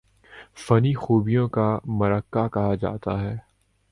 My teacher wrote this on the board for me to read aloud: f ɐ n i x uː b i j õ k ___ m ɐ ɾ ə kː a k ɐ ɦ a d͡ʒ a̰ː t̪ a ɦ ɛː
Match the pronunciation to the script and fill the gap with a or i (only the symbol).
a